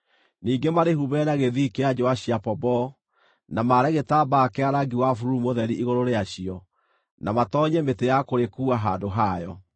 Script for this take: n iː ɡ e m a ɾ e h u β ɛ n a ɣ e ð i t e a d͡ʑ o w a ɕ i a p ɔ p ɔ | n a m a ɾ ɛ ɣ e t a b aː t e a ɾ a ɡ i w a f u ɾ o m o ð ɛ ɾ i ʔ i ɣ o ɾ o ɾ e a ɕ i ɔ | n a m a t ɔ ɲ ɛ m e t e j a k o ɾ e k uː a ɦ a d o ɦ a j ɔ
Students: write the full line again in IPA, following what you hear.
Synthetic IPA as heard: n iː ɡ e m a ɾ e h u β ɛ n a ɣ e ð i k e a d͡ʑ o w a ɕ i a p ɔ b ɔ | n a m a ɾ ɛ ɣ e t a b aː k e a ɾ a ɡ i w a f u ɾ u m o ð ɛ ɾ i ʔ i ɣ o ɾ o ɾ e a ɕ i ɔ | n a m a t ɔ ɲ ɛ m e t e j a k o ɾ e k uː a ɦ a d o ɦ a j ɔ